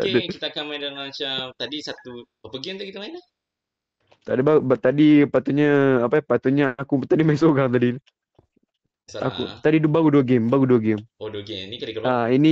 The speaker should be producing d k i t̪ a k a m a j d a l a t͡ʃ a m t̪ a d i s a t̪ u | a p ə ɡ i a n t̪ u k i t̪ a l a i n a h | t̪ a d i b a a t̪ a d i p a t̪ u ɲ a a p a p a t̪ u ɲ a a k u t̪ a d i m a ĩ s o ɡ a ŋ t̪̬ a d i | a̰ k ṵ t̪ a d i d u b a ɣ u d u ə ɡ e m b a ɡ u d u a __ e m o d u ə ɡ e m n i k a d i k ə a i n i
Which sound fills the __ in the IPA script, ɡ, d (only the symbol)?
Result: ɡ